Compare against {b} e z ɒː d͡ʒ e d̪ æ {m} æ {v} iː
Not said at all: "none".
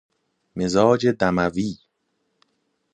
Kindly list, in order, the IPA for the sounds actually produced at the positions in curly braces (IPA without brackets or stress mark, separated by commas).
m, m, v